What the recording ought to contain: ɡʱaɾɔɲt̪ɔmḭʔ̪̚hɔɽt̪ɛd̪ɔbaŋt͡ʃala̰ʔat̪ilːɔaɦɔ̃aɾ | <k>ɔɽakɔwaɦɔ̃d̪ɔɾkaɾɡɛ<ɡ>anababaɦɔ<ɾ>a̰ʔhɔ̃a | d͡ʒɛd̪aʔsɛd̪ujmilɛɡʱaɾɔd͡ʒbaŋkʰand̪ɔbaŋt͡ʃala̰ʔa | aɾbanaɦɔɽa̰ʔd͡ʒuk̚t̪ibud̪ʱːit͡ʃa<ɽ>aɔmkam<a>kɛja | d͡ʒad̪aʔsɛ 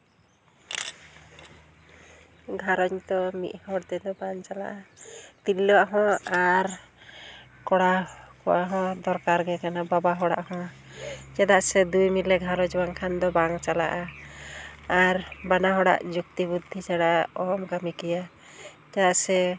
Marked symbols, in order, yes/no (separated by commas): yes, no, no, yes, no